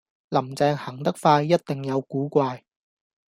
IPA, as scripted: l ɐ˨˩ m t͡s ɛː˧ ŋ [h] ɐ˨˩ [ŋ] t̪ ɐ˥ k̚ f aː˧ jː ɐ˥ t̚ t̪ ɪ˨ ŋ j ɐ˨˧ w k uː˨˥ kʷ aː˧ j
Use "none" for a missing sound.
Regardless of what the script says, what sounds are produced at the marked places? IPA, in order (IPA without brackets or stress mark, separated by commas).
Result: h, ŋ